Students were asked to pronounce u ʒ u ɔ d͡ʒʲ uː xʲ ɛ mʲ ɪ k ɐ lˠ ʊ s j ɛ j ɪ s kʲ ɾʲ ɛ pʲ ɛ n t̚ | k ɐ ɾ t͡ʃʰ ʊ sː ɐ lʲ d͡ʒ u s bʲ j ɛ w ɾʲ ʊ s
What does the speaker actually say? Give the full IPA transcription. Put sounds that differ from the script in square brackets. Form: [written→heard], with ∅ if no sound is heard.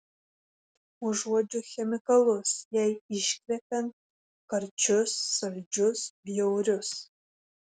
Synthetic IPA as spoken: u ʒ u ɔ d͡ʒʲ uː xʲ ɛ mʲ ɪ k ɐ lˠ ʊ s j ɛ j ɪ [s→ʃ] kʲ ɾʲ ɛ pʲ ɛ n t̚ | k ɐ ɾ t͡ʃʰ ʊ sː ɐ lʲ d͡ʒ [u→ʊ] s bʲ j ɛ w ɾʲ ʊ s